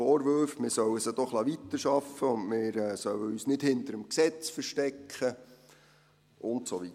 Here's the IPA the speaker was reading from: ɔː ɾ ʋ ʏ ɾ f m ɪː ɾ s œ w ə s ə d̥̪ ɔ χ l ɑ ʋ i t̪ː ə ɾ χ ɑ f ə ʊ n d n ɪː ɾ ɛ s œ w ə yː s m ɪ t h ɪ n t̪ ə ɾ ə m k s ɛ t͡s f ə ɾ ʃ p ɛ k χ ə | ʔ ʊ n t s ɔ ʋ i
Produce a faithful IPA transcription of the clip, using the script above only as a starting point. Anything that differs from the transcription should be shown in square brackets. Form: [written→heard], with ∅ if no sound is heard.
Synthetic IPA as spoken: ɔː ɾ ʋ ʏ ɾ f m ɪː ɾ s œ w ə s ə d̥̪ ɔ χ l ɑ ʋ i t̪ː ə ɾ [χ→ʃ] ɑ f ə ʊ n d [n→m] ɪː ɾ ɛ s œ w ə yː s [m→n] ɪ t h ɪ n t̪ ə ɾ ə m k s ɛ t͡s f ə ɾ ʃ [p→t] ɛ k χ ə | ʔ ʊ n t s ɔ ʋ i